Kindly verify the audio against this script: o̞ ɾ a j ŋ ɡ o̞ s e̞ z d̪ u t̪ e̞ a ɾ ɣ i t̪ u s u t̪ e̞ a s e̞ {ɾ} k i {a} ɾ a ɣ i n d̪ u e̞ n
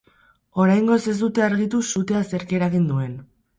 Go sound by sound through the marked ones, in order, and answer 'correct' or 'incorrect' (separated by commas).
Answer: correct, incorrect